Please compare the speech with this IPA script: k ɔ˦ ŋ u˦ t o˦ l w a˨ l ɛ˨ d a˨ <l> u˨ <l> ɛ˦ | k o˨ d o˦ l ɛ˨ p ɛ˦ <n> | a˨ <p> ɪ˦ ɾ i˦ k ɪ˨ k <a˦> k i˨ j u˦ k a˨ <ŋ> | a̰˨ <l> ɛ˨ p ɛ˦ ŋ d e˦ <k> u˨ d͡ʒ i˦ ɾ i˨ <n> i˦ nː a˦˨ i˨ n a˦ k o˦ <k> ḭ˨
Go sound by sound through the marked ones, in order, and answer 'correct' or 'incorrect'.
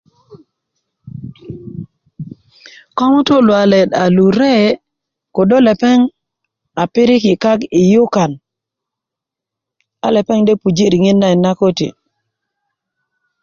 correct, incorrect: ɾ, incorrect: ŋ, correct, correct, incorrect: n, correct, incorrect: p, incorrect: ŋ, incorrect: t

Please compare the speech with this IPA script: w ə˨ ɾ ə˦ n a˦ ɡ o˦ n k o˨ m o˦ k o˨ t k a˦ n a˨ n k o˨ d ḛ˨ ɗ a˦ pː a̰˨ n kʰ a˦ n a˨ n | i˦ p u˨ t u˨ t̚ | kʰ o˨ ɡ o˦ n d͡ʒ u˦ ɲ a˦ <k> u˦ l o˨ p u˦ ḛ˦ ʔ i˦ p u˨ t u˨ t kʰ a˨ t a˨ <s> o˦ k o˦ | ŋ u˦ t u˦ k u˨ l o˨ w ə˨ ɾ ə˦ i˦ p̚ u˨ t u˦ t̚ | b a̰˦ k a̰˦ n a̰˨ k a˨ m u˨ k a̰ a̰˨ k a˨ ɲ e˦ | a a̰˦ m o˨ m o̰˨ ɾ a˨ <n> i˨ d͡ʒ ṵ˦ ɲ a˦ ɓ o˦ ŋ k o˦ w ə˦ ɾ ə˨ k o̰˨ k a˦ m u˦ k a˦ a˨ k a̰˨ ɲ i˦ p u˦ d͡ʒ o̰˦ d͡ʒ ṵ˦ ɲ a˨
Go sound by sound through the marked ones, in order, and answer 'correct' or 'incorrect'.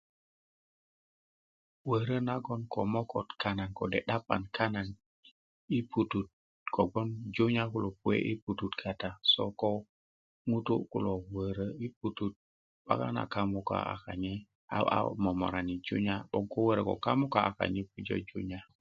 correct, correct, correct

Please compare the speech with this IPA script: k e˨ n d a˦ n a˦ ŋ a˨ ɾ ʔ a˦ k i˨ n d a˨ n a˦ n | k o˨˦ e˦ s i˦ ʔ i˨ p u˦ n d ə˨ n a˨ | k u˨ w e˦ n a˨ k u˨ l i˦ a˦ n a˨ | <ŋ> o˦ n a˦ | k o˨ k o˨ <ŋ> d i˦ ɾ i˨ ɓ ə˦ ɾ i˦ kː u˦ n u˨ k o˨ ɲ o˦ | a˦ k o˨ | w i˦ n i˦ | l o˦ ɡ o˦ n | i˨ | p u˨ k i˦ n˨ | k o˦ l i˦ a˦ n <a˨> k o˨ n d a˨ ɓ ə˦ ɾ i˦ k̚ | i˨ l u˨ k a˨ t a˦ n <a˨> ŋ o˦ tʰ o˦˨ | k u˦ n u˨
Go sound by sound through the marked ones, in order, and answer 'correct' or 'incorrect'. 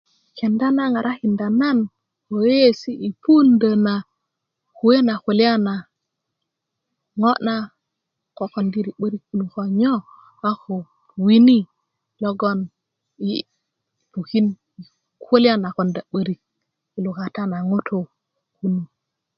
correct, incorrect: n, correct, correct

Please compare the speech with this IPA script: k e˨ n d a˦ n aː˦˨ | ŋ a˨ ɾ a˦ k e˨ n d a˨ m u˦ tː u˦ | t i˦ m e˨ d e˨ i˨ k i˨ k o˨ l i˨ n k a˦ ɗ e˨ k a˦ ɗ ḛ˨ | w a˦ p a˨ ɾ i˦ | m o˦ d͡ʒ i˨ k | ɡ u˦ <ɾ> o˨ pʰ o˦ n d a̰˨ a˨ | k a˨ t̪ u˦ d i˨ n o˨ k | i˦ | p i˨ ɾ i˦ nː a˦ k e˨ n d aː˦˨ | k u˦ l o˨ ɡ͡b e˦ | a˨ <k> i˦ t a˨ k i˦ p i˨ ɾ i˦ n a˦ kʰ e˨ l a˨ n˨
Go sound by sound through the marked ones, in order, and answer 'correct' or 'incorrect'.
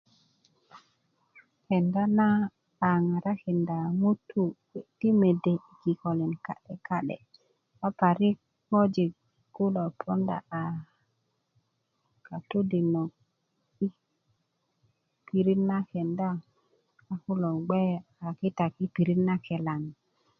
incorrect: l, correct

